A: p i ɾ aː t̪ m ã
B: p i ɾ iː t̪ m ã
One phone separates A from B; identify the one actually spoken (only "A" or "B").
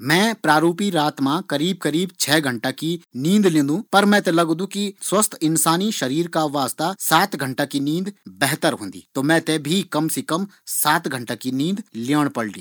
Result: A